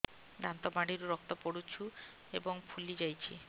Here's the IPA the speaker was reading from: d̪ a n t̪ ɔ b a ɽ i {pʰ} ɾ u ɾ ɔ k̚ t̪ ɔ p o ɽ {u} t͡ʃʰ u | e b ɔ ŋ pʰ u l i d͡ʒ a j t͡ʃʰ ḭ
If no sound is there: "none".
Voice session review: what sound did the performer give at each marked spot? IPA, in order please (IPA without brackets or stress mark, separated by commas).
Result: none, u